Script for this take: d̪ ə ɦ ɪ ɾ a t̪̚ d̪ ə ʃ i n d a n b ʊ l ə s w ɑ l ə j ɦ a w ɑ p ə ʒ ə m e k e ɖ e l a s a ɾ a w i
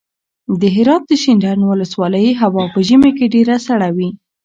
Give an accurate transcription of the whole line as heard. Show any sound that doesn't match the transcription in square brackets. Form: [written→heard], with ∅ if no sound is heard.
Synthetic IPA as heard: d̪ ə ɦ ɪ ɾ [a→ɑ] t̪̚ d̪ ə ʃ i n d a n [b→w] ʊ l ə s w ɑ l ə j ɦ a w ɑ p ə ʒ ə m e k e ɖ e [l→ɾ] a s a [ɾ→ɽ] a w i